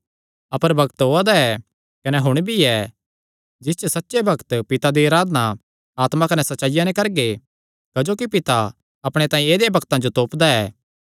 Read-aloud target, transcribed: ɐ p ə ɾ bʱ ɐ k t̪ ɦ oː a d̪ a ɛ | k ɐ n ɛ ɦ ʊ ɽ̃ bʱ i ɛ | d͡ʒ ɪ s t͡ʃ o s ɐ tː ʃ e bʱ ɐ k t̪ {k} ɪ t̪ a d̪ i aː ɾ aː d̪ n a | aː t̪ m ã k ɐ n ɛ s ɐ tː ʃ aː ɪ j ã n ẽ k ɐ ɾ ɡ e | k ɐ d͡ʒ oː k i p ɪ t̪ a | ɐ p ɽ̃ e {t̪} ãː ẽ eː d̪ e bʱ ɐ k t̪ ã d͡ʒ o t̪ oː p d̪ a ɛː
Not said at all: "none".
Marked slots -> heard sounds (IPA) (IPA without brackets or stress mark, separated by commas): p, t̪